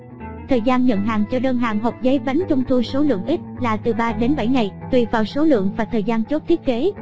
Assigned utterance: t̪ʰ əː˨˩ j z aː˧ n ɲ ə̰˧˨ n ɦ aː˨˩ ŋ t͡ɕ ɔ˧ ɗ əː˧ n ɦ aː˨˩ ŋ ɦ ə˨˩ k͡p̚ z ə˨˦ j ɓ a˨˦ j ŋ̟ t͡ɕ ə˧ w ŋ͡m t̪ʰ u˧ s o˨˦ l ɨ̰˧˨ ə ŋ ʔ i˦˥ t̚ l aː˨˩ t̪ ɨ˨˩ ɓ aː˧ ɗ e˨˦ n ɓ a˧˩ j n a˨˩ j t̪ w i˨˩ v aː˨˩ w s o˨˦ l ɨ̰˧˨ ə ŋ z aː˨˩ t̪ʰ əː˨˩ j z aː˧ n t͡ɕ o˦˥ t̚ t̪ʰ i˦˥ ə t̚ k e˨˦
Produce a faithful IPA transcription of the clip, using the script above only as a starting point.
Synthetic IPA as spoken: t̪ʰ əː˨˩ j z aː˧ n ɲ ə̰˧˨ n ɦ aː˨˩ ŋ t͡ɕ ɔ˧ ɗ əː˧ n ɦ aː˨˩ ŋ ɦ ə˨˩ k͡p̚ z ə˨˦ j ɓ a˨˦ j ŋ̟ t͡ɕ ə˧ w ŋ͡m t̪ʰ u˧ s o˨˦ l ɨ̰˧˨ ə ŋ ʔ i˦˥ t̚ l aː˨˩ t̪ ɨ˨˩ ɓ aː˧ ɗ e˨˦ n ɓ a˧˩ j ŋ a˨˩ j t̪ w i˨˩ v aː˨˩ w s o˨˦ l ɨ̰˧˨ ə ŋ v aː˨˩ t̪ʰ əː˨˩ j z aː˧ n t͡ɕ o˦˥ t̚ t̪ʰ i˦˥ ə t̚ k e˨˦